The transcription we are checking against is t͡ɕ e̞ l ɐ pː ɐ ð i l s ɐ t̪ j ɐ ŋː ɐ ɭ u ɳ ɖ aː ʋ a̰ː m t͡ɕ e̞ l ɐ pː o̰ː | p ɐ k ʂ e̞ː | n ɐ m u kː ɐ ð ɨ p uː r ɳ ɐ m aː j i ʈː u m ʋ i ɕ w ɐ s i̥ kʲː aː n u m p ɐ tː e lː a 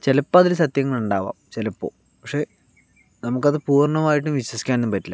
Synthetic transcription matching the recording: t͡ɕ e̞ l ɐ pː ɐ ð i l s ɐ t̪ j ɐ ŋː ɐ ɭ u ɳ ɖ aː ʋ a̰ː m t͡ɕ e̞ l ɐ pː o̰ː | p ɐ k ʂ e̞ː | n ɐ m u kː ɐ ð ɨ p uː r ɳ ɐ m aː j i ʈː u m ʋ i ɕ w ɐ s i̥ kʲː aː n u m p ɐ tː i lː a